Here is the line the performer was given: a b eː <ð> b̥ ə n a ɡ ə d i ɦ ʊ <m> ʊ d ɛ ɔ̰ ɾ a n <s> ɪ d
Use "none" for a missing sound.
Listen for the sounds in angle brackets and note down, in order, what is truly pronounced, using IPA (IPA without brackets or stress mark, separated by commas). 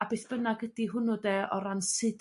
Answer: θ, n, s